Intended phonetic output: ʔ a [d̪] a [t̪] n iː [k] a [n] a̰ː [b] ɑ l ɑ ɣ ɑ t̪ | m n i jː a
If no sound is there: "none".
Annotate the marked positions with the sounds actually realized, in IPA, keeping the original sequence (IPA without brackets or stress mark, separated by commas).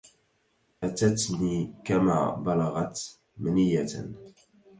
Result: t̪, t̪, k, m, b